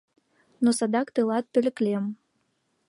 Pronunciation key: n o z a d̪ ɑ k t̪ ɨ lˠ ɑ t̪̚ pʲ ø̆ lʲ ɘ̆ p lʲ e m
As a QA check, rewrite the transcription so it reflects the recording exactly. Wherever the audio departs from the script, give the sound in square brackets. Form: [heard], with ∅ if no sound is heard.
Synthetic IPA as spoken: n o [s] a d̪ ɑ k t̪ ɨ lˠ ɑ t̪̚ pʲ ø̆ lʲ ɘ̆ [k] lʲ e m

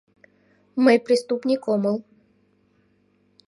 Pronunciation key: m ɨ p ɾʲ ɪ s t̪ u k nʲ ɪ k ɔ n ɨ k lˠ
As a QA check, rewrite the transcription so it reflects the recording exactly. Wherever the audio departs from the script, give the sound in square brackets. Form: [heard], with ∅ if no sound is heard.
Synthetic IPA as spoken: m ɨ p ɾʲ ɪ s t̪ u [p] nʲ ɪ k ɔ [m] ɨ [∅] lˠ

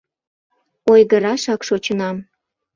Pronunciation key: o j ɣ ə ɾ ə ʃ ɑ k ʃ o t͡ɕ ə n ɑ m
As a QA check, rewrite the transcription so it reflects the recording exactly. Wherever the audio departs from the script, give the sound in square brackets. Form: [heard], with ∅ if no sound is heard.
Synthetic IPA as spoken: o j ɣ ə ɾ [ɑ] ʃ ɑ k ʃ o t͡ɕ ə n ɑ m

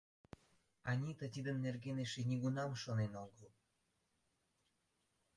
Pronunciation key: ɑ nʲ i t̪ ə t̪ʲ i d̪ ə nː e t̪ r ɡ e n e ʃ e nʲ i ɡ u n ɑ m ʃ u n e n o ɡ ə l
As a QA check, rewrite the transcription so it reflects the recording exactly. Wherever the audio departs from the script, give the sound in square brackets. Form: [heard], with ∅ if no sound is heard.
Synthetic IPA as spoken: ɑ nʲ i t̪ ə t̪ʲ i d̪ ə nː e [∅] r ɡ e n e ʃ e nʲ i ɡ u n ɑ m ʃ [o] n e n o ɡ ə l

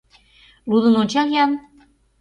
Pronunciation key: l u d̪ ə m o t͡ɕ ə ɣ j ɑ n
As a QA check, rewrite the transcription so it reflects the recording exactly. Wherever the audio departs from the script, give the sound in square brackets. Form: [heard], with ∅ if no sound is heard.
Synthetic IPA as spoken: l u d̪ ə [n] o t͡ɕ [ɑ] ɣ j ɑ n

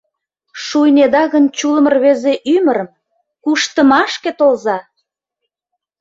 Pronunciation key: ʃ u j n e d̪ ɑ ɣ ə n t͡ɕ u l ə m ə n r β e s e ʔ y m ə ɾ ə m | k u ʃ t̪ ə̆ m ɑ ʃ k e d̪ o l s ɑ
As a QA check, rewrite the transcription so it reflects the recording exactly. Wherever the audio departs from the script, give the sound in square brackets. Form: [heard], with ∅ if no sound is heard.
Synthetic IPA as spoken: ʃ u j n e d̪ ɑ ɣ ə n t͡ɕ u l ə m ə [∅] r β e [z] e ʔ y m ə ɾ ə m | k u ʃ t̪ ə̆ m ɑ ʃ k e [t̪] o l [z] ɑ

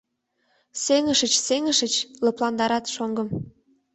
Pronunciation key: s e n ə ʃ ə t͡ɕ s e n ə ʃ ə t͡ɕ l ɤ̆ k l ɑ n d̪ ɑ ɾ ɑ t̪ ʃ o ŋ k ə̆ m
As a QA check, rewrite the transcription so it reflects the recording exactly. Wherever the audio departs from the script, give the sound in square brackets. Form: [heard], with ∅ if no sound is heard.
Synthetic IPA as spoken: s e [ŋ] ə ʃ ə t͡ɕ s e [ŋ] ə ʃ ə t͡ɕ l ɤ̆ [p] l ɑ n d̪ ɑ ɾ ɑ t̪ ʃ o ŋ [ɡ] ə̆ m

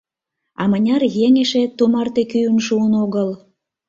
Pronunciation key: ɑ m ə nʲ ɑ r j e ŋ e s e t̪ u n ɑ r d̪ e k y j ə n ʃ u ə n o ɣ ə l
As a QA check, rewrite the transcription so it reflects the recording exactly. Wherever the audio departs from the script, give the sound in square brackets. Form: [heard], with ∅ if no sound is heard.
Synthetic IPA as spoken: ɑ m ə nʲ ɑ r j e ŋ e [ʃ] e t̪ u [m] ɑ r [t̪] e k y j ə n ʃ u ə n o ɣ ə l

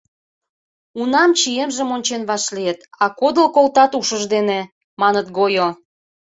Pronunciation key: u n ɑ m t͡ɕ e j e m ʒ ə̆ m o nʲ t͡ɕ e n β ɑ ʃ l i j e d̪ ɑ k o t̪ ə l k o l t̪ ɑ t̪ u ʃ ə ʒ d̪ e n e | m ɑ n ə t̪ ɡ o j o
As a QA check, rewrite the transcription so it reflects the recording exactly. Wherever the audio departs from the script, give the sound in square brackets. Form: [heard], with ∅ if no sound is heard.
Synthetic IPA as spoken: u n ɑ m t͡ɕ [i] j e m ʒ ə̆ m o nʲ t͡ɕ e n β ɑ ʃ l i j e [t̪] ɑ k o [d̪] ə l k o l t̪ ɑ t̪ u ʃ ə ʒ d̪ e n e | m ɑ n ə t̪ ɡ o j o

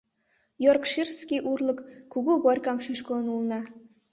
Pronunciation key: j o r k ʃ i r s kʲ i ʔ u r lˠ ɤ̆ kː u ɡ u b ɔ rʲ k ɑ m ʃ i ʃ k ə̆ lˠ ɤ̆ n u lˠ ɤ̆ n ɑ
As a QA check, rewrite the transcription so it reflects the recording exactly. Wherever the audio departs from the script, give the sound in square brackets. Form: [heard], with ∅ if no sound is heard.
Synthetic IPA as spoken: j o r k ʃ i r s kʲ i ʔ u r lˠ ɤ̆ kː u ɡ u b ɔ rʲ k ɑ m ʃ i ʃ k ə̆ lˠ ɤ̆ n u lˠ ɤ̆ n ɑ

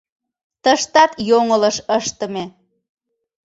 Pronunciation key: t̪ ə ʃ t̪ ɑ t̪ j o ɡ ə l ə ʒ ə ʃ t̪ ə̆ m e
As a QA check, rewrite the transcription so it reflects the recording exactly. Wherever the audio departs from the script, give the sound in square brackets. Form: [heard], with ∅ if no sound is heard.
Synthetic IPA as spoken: t̪ ə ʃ t̪ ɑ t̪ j o [ŋ] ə l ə [ʃ] ə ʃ t̪ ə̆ m e

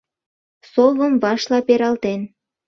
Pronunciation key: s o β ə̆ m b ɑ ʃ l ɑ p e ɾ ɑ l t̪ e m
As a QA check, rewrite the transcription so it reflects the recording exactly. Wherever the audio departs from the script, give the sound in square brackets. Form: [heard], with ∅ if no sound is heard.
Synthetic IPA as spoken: s o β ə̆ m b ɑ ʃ l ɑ p e ɾ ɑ l t̪ e [n]

